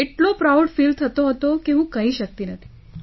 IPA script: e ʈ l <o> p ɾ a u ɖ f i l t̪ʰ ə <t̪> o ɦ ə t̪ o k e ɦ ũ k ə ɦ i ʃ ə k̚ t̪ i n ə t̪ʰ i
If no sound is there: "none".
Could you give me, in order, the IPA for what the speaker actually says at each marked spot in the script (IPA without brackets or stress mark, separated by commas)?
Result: o, t̪